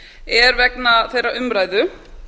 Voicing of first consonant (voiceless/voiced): voiced